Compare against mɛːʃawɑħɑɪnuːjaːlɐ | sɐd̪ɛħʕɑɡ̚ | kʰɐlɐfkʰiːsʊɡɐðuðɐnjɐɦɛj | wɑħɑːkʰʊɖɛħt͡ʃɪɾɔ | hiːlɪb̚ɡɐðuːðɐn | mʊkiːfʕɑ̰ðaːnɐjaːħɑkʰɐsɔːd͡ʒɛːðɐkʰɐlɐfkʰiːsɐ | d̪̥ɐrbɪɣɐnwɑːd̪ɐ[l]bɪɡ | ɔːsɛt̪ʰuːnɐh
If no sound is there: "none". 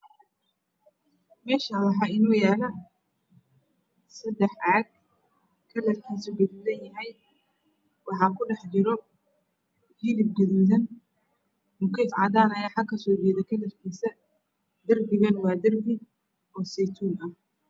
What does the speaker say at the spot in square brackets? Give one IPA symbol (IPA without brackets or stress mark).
r